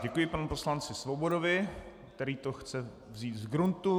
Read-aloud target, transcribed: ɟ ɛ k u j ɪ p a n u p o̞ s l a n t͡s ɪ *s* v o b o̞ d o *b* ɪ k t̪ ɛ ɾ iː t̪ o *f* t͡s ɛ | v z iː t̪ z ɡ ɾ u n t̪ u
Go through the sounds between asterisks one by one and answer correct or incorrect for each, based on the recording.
correct, incorrect, incorrect

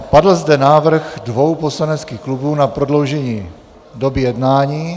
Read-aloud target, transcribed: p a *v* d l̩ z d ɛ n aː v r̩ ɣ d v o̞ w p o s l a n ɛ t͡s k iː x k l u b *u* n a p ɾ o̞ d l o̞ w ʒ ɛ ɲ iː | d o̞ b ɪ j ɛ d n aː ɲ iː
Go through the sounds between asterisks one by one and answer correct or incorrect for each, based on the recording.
incorrect, incorrect

